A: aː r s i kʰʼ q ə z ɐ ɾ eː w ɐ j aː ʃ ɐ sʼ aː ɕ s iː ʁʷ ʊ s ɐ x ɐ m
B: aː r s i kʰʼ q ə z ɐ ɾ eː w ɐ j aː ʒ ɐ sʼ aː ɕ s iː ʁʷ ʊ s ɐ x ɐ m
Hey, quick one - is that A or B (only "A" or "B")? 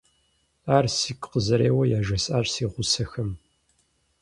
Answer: B